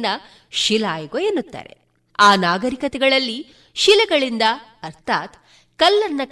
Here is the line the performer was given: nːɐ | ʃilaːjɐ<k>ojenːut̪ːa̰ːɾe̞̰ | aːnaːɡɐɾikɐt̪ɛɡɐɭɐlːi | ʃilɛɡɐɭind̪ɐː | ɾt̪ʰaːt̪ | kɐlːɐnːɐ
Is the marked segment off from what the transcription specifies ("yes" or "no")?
yes